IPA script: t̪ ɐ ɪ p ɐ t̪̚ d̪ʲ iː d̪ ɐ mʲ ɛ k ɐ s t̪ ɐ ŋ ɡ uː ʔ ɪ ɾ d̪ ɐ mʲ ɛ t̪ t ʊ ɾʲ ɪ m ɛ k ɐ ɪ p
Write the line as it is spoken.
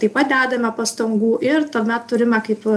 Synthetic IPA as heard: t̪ ɐ ɪ p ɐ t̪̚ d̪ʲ æː d̪ ɐ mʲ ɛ p ɐ s t̪ ɐ ŋ ɡ uː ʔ ɪ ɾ t̪ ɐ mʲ ɛ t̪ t ʊ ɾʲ ɪ m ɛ k ɐ ɪ p